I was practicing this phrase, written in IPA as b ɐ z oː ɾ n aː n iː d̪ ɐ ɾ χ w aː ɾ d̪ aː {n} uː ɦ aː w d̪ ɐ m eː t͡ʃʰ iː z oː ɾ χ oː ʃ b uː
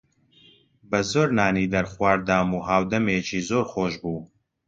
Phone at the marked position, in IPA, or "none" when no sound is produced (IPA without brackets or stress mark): m